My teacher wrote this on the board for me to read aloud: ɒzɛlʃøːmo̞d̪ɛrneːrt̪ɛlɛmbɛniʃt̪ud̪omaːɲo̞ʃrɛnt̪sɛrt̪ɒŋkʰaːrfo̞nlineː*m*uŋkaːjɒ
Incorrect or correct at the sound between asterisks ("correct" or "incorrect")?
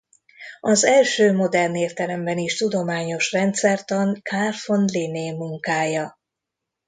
correct